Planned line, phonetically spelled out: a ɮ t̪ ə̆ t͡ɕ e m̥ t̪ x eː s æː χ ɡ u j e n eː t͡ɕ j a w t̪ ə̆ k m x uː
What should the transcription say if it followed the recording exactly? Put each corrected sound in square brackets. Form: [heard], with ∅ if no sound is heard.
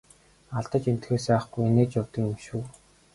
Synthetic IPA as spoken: a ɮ t̪ ə̆ t͡ɕ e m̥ t̪ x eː s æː χ ɡ u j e n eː t͡ɕ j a w t̪ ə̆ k m [ʃ] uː